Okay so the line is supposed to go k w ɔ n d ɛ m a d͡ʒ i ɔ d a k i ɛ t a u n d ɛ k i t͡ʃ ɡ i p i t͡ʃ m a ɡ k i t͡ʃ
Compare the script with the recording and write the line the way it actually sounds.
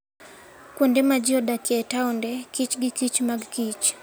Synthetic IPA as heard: k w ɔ n d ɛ m a d͡ʒ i ɔ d a k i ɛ t a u n d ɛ k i t͡ʃ ɡ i k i t͡ʃ m a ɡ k i t͡ʃ